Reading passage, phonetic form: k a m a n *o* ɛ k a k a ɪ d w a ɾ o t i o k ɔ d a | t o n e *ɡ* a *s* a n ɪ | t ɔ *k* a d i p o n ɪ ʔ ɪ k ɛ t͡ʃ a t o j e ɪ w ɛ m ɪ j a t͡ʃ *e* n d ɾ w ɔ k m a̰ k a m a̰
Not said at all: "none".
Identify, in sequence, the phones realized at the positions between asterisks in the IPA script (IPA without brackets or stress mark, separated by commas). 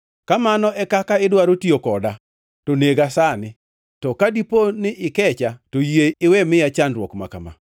ɔ, ɡ, s, k, a